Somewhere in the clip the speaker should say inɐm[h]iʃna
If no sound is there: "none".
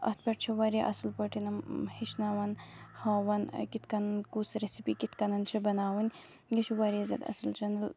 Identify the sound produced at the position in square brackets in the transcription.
h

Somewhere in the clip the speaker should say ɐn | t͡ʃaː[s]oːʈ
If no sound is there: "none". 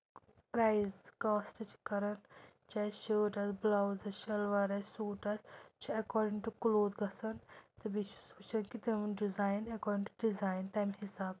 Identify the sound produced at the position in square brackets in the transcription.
ʃ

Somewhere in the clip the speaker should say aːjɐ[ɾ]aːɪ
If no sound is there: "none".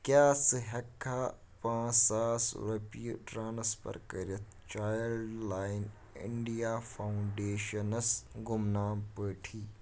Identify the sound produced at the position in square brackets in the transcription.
l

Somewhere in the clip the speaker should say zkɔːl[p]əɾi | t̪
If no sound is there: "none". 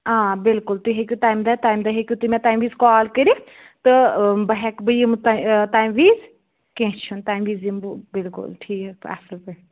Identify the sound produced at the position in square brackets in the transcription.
k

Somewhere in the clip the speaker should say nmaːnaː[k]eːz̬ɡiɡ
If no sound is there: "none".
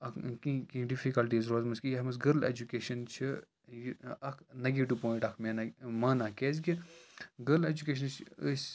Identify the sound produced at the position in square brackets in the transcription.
k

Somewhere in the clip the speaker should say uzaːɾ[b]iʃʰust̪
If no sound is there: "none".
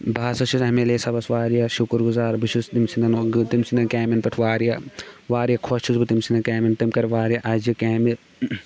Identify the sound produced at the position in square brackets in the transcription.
b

